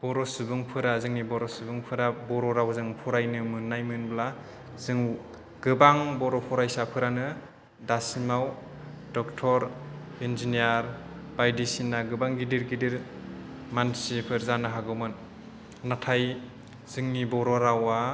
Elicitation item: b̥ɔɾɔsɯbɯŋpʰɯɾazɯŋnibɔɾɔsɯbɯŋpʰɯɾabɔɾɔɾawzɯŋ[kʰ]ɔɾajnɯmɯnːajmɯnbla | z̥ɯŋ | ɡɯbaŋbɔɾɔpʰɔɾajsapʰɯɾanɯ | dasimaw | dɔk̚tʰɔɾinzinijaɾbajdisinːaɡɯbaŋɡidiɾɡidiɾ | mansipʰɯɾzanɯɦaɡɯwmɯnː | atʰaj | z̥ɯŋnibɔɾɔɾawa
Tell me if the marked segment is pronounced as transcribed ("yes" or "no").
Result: no